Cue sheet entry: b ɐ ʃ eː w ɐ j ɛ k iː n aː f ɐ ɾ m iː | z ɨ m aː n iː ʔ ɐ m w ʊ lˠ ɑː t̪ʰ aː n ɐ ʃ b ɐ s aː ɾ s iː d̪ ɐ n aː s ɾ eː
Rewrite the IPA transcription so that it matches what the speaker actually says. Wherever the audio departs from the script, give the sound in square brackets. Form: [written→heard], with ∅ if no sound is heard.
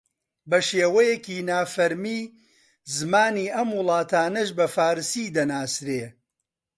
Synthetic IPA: b ɐ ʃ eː w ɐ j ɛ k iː n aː f ɐ ɾ m iː | z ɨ m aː n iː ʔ ɐ m w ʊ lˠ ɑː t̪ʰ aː n ɐ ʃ b ɐ [s→f] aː ɾ s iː d̪ ɐ n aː s ɾ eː